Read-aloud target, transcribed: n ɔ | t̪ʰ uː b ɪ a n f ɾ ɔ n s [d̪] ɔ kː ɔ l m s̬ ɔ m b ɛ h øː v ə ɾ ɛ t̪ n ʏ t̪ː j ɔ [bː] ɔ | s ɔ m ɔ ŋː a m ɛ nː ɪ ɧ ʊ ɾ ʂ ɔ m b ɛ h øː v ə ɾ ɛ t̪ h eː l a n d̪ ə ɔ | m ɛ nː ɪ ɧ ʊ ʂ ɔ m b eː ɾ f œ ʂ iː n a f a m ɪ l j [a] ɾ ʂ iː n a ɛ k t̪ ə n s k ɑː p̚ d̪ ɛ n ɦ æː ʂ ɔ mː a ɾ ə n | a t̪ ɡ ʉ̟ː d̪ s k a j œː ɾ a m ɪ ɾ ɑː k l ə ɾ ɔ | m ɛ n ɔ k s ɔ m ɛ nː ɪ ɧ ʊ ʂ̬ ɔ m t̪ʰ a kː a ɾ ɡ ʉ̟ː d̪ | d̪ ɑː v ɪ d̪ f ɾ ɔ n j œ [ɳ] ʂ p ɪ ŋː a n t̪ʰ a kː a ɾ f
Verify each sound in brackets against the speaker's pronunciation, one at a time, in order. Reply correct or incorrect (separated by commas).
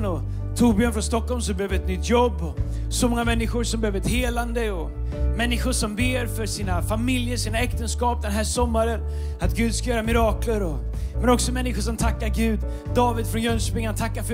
incorrect, correct, incorrect, incorrect